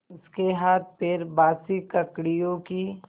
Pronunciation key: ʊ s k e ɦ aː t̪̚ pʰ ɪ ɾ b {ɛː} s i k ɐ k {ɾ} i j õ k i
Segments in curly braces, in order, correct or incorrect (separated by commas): incorrect, incorrect